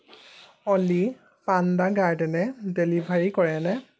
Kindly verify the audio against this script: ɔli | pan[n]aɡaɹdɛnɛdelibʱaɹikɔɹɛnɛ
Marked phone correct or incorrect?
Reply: incorrect